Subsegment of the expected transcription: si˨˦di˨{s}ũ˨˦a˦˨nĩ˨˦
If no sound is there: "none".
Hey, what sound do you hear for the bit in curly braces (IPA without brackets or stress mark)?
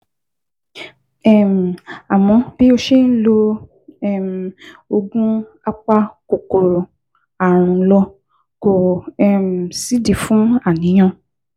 f